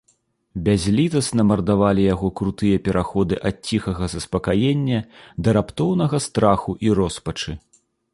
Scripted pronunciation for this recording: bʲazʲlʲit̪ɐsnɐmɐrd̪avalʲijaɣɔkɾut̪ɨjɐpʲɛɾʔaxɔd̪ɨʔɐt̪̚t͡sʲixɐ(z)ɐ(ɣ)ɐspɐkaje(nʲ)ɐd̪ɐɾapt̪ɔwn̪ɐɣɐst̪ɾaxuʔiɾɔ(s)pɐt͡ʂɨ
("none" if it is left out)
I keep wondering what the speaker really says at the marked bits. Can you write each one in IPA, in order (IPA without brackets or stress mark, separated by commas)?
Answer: ɣ, z, nʲː, s